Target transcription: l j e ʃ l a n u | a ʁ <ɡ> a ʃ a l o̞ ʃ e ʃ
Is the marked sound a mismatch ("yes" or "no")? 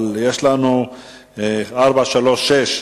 yes